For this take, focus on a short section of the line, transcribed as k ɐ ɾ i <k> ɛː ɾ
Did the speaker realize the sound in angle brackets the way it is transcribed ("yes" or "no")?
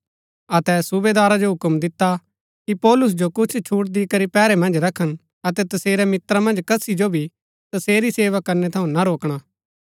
no